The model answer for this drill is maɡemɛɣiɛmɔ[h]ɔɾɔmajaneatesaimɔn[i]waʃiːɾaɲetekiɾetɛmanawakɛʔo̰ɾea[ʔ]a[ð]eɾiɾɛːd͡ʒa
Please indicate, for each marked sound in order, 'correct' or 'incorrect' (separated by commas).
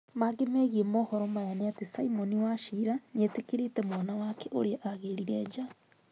correct, correct, correct, incorrect